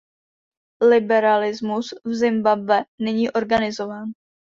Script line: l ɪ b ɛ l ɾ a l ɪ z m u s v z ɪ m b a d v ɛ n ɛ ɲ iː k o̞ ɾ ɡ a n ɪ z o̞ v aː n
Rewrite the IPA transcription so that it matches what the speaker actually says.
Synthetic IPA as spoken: l ɪ b ɛ ɾ a l ɪ z m u s v z ɪ m b a b v ɛ n ɛ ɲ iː ʔ o̞ ɾ ɡ a n ɪ z o̞ v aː n